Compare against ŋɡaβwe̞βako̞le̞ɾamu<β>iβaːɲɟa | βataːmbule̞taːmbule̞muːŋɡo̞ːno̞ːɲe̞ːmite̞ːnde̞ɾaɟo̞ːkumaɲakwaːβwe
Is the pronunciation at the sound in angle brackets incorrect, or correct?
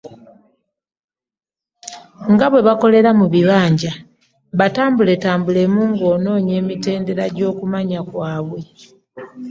correct